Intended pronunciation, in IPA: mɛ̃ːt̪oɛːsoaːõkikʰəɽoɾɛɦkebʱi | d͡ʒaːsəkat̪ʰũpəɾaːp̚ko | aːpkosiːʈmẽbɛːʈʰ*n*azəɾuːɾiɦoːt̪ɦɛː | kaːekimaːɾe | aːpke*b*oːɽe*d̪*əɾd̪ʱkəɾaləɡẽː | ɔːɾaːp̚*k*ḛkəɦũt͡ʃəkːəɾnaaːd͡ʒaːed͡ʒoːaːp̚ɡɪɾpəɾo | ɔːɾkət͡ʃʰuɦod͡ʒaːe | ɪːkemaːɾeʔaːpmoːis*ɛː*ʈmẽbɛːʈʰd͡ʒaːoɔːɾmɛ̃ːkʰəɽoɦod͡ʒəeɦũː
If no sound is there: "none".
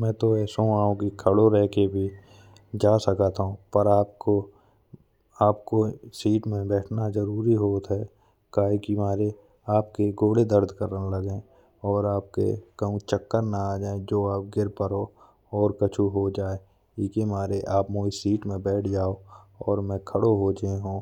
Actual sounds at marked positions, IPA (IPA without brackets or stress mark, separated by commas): n, ɡ, d̪, k, iː